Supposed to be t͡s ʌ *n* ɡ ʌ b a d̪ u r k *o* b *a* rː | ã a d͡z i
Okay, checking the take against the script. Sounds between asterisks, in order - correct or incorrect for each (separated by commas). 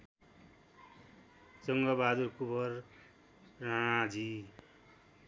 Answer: incorrect, incorrect, incorrect